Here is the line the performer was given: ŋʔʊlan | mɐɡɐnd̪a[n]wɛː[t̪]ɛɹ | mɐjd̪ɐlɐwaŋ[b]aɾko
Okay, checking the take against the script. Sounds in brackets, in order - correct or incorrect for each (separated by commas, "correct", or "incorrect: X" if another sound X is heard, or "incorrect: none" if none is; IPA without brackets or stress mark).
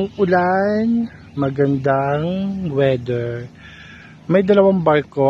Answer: incorrect: ŋ, incorrect: d̪, correct